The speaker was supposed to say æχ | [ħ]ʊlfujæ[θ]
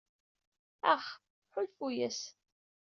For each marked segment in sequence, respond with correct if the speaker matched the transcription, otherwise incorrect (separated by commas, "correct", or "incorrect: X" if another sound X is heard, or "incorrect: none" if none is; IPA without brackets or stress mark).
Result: correct, incorrect: s